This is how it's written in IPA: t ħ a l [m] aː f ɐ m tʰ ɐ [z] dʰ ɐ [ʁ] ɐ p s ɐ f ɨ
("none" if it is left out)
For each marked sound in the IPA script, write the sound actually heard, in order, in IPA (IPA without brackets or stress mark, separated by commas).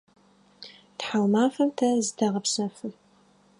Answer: m, z, ʁ